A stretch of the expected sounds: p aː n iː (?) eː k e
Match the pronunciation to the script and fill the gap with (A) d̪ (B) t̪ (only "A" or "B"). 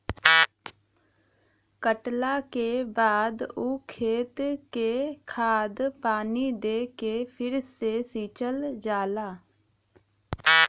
A